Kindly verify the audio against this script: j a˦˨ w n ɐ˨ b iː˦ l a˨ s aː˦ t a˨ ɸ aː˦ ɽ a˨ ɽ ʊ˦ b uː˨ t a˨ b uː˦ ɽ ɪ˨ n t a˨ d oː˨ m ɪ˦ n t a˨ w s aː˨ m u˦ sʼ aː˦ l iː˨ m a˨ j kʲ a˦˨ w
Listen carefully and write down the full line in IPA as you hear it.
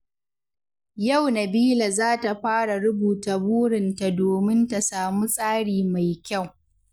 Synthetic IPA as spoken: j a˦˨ w n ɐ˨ b iː˦ l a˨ z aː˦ t a˨ ɸ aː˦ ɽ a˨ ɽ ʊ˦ b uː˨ t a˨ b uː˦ ɽ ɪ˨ n t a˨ d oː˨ m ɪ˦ n t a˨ s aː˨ m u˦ sʼ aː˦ ɽ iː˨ m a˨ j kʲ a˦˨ w